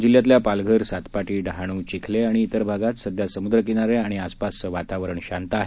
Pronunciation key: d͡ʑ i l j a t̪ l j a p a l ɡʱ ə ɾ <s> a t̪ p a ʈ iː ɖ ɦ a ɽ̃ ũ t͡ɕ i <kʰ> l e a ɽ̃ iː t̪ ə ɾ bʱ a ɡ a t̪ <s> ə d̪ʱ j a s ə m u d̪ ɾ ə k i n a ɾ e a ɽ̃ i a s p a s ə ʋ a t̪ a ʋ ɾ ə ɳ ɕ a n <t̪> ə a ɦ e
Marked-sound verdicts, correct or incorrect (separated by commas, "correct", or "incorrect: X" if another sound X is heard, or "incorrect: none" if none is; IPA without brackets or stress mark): correct, correct, correct, correct